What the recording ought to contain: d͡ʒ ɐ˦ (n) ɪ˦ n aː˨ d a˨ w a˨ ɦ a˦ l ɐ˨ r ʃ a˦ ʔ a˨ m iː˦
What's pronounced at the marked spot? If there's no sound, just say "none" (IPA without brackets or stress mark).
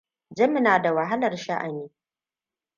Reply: m